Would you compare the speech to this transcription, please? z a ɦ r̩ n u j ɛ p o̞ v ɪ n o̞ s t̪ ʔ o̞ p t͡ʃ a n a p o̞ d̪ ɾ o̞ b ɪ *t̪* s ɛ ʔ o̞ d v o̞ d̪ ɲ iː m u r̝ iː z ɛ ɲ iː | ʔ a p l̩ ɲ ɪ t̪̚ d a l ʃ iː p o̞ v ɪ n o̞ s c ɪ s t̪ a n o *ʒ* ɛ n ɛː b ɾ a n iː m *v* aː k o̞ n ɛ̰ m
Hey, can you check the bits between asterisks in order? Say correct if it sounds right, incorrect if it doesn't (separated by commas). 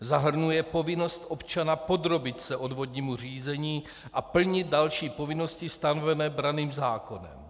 correct, incorrect, incorrect